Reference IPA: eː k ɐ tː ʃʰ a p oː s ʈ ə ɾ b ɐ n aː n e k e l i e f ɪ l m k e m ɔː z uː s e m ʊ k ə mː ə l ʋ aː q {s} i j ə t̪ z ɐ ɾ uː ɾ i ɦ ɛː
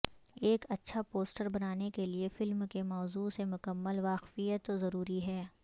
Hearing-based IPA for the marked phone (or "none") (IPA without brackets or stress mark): f